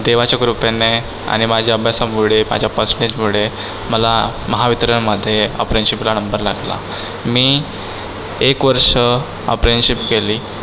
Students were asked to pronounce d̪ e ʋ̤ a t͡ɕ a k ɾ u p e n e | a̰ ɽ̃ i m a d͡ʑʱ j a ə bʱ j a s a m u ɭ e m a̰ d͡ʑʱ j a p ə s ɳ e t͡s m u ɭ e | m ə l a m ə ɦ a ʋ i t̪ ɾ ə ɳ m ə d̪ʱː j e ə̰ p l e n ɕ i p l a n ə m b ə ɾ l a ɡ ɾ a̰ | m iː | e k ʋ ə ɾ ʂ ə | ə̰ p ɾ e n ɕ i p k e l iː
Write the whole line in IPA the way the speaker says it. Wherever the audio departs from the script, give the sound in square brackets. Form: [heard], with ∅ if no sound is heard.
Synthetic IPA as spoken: d̪ e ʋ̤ a t͡ɕ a k ɾ u p e n e | a̰ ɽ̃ i m a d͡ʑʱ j a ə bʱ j a s a m u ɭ e m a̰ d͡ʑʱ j a p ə s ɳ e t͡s m u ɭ e | m ə l a m ə ɦ a ʋ i t̪ ɾ ə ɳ m ə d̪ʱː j e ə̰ p [ɾ] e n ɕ i p l a n ə m b ə ɾ l a ɡ [l] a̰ | m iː | e k ʋ ə ɾ ʂ ə | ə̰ p ɾ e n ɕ i p k e l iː